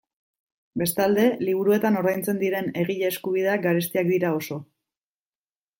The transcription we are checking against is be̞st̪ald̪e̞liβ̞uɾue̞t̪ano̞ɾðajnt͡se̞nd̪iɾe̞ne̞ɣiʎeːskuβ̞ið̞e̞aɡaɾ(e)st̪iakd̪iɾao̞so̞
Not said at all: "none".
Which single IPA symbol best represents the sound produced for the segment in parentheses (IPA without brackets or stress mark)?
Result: e